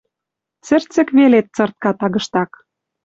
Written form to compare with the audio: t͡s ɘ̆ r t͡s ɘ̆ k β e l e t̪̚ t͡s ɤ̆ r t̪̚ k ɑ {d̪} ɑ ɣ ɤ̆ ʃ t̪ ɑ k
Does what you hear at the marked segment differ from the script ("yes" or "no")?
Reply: yes